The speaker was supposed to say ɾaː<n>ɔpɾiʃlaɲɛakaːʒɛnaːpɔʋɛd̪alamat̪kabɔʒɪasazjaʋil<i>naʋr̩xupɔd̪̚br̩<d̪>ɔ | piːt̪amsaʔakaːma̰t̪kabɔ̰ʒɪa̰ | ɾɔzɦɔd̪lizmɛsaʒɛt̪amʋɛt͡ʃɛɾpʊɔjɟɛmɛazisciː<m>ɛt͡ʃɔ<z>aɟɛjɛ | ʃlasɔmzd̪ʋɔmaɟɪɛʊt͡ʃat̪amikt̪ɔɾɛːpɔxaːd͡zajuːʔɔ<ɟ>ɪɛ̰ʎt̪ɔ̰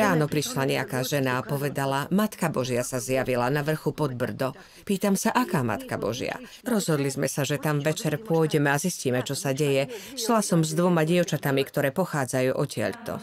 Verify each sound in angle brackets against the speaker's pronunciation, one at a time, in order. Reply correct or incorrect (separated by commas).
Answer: correct, incorrect, correct, correct, incorrect, incorrect